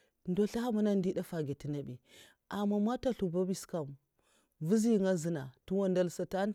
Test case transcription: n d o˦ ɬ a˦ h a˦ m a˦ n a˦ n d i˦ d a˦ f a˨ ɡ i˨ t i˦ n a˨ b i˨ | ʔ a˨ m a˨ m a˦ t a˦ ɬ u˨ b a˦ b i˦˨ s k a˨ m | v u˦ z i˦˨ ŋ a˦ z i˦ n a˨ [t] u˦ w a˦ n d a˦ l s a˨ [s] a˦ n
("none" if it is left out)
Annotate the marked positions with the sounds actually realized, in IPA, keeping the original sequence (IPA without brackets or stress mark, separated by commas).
t, t